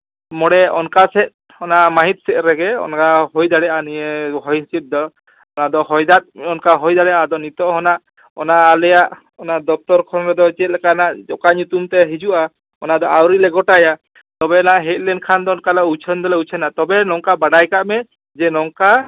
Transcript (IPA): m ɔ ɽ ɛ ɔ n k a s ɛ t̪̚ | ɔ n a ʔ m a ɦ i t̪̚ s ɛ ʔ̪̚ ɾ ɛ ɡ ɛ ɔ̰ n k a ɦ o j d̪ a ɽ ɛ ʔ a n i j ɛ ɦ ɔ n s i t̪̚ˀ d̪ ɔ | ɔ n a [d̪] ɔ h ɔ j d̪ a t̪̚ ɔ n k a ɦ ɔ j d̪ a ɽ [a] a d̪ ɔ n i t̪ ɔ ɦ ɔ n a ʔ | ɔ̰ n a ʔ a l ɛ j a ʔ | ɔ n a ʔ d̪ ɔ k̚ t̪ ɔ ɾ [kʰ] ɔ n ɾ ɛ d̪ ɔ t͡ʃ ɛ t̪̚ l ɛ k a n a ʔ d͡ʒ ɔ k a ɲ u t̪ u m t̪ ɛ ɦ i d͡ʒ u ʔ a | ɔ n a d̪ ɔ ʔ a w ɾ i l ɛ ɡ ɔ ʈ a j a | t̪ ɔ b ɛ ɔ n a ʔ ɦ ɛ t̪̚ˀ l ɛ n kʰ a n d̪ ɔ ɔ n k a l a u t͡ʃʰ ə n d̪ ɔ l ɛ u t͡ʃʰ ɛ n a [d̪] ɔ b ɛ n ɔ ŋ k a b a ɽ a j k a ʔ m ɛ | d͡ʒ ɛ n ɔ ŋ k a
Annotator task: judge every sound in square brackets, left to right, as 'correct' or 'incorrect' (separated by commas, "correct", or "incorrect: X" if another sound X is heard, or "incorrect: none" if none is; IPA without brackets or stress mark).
correct, incorrect: ɛ, correct, incorrect: t̪